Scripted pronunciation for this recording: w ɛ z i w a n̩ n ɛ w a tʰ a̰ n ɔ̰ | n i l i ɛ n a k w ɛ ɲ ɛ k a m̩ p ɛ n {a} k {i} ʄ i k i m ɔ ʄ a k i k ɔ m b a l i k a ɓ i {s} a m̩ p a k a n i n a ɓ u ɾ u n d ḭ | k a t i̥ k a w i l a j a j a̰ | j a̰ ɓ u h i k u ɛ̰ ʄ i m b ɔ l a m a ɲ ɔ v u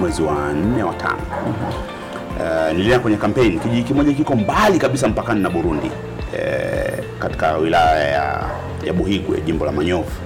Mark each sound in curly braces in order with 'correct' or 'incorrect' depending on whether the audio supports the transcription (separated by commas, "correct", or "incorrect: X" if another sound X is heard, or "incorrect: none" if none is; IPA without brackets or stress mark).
incorrect: i, correct, correct